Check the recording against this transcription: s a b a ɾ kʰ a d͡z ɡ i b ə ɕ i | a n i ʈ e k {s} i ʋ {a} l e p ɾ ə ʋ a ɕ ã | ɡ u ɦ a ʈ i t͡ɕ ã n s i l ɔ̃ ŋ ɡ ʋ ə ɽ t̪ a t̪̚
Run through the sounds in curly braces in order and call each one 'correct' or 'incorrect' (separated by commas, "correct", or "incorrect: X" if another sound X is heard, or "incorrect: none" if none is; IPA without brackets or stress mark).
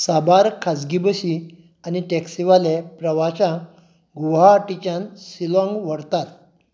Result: correct, correct